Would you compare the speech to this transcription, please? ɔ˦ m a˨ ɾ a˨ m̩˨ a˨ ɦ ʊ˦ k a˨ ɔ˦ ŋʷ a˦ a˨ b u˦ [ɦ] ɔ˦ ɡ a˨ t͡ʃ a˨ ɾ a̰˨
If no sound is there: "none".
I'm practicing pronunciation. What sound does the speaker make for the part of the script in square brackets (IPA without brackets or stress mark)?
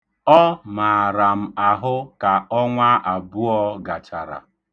none